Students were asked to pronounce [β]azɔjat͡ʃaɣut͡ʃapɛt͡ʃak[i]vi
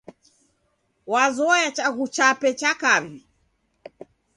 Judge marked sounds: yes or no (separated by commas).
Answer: no, no